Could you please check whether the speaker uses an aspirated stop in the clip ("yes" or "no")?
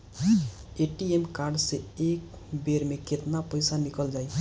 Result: no